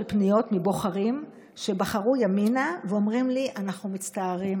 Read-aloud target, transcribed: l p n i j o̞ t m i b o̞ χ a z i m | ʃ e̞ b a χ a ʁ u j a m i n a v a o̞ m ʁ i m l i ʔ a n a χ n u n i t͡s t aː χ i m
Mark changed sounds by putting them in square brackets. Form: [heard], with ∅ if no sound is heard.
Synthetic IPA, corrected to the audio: l p n i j o̞ t m i b o̞ χ a [ʁ] i m | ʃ e̞ b a χ a ʁ u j a m i n a v [e] o̞ m ʁ i m l i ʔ a n a χ n u [m] i t͡s t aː [ʁ] i m